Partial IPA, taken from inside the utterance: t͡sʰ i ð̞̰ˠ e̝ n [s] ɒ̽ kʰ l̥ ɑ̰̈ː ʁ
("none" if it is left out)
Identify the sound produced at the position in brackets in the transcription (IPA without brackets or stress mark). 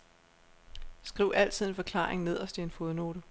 f